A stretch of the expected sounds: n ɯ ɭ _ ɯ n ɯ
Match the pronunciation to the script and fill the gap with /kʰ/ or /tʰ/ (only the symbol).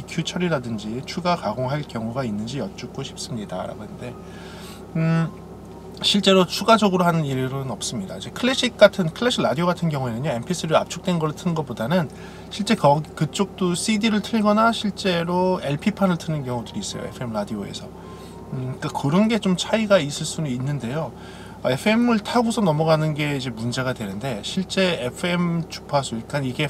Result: tʰ